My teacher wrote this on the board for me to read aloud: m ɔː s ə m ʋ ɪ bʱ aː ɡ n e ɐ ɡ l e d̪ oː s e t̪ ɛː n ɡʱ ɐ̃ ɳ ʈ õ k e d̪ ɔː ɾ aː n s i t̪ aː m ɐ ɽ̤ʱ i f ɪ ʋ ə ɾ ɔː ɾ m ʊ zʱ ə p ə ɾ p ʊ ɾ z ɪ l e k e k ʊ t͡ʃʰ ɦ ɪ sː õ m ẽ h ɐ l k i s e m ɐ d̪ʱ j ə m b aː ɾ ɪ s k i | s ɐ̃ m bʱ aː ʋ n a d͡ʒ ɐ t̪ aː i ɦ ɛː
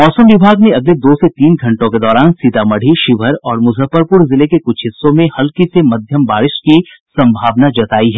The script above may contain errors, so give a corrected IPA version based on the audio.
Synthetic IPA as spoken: m ɔː s ə m ʋ ɪ bʱ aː ɡ n e ɐ ɡ l e d̪ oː s e t̪ iː n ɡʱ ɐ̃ ɳ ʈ õ k e d̪ ɔː ɾ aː n s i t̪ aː m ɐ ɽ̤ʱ i ʃ ɪ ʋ ə ɾ ɔː ɾ m ʊ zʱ ə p ə ɾ p ʊ ɾ z ɪ l e k e k ʊ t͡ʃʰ ɦ ɪ sː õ m ẽ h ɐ l k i s e m ɐ d̪ʱ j ə m b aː ɾ ɪ ʃ k i | s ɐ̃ m bʱ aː ʋ n a d͡ʒ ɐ t̪ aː i ɦ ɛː